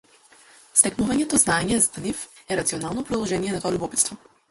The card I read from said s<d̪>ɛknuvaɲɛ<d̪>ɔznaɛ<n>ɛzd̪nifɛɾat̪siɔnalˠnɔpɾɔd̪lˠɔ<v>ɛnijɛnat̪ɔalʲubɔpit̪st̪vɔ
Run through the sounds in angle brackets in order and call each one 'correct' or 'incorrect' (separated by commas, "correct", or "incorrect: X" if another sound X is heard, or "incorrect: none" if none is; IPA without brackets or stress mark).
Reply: incorrect: t̪, incorrect: t̪, incorrect: ɲ, incorrect: ʒ